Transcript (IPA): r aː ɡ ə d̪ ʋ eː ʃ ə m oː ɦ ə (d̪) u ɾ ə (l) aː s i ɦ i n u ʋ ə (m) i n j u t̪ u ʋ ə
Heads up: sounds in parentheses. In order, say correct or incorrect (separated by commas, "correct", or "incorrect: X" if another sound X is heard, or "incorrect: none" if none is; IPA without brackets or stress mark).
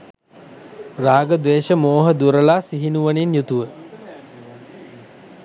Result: correct, correct, incorrect: n